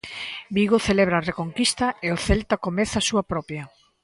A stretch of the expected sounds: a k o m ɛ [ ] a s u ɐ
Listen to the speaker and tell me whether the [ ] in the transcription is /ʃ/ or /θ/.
θ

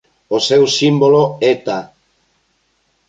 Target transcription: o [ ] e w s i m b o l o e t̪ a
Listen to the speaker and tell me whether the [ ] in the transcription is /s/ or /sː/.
s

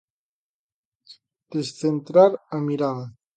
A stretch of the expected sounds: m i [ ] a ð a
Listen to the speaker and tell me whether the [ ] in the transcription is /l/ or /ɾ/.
ɾ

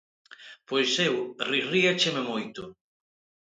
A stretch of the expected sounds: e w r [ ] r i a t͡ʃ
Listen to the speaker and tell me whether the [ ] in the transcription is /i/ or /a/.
i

